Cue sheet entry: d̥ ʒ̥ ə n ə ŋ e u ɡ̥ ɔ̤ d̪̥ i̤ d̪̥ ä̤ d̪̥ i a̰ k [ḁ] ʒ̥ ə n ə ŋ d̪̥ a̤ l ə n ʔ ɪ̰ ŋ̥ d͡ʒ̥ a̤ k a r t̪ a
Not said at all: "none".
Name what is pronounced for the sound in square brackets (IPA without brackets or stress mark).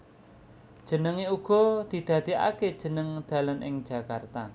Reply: e̥